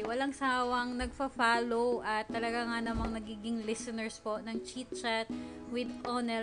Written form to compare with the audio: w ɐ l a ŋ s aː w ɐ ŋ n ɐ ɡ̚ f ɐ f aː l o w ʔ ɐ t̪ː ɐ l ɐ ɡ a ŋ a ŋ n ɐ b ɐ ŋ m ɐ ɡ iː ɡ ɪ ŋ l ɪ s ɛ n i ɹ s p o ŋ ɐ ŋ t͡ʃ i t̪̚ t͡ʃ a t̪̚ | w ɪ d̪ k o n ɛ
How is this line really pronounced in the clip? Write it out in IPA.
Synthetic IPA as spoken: w ɐ l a ŋ s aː w ɐ ŋ n ɐ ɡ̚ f ɐ f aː l o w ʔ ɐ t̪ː ɐ l ɐ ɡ a ŋ a n ɐ m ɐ ŋ n ɐ ɡ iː ɡ ɪ ŋ l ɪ s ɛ n ɛ ɹ s p o n ɐ ŋ t͡ʃ i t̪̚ t͡ʃ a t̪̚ | w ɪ d̪ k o n ɛ